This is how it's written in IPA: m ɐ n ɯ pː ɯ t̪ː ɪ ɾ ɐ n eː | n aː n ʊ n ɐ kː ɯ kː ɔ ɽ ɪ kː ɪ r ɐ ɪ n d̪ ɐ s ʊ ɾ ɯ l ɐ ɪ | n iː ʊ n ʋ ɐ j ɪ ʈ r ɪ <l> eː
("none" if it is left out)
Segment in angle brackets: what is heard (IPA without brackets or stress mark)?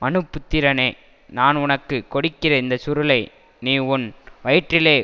l